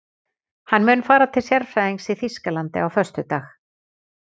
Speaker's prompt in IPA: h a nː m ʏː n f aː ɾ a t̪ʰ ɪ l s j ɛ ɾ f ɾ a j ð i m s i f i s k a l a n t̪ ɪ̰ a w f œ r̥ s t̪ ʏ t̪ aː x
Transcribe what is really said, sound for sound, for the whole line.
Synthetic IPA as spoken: h a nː m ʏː n f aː ɾ a t̪ʰ ɪ l s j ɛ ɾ f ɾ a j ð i ŋ s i θ i s k a l a n t̪ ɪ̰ a w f œ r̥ s t̪ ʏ t̪ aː x

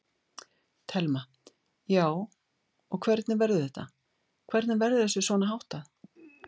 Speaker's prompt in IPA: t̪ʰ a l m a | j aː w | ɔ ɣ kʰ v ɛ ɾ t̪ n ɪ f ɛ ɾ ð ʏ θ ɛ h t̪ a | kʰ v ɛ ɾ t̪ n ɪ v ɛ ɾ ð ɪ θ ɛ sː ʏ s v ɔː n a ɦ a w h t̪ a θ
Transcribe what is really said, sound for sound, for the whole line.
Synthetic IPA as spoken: t̪ʰ ɛ l m a | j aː w | ɔ ɣ kʰ v ɛ ɾ t̪ n ɪ v ɛ ɾ ð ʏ θ ɛ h t̪ a | kʰ v ɛ ɾ t̪ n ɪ v ɛ ɾ ð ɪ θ ɛ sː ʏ s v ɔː n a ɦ a w h t̪ a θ

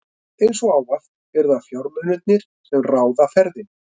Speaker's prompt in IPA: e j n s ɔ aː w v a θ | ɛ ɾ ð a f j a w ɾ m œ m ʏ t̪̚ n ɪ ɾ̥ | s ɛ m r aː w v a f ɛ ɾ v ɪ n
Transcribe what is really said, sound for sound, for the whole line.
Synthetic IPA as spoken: e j n s ɔ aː w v a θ | ɛ ɾ ð a f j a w ɾ m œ n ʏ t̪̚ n ɪ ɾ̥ | s ɛ m r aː w ð a f ɛ ɾ ð ɪ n

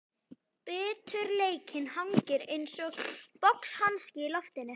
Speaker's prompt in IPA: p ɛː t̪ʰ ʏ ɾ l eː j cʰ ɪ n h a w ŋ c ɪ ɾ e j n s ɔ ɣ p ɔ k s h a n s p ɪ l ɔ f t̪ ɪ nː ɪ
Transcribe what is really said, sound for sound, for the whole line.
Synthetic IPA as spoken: p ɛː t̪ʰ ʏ ɾ l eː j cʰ ɪ n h a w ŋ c ɪ ɾ e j n s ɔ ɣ p ɔ k s h a n s c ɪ l ɔ f t̪ ɪ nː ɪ

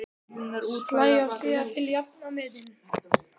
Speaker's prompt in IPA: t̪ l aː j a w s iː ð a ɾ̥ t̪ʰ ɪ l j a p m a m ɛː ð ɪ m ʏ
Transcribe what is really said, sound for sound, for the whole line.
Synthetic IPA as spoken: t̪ l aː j a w s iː ð a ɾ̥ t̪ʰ ɪ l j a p n a m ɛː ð ɪ n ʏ

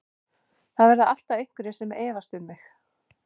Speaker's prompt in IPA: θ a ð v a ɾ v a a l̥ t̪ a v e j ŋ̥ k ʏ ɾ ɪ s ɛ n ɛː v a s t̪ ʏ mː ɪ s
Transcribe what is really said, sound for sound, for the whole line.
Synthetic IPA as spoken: θ a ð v ɛ ɾ ð a a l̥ t̪ a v e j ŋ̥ k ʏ ɾ ɪ s ɛ m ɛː v a s t̪ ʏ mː ɪ x

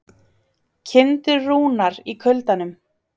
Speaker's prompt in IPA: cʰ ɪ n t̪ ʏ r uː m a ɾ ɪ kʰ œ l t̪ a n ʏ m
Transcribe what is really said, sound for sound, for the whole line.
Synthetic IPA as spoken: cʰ ɪ n t̪ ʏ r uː n a ɾ i kʰ œ l t̪ a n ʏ m

